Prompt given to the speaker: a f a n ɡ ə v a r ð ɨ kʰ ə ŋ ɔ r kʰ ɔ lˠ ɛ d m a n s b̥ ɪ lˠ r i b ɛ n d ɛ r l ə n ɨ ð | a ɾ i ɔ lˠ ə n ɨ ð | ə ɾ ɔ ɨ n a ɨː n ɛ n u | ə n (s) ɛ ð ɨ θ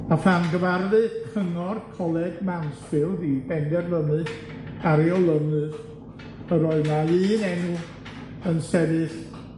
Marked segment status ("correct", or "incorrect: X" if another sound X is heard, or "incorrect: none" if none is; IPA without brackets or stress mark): correct